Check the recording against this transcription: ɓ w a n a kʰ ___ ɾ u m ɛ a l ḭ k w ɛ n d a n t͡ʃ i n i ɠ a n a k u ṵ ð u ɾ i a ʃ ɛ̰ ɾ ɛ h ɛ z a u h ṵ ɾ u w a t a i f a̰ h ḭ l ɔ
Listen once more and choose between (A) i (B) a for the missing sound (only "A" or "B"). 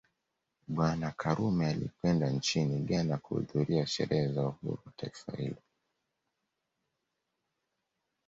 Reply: B